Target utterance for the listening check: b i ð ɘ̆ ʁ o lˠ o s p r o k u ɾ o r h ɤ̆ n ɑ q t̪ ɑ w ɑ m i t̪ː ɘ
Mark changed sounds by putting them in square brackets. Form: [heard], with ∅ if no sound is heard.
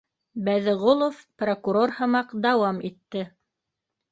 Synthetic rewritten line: b [æ] ð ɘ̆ ʁ o lˠ o [f] p r o k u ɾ o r h ɤ̆ [m] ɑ q [d̪] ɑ w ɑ m i t̪ː ɘ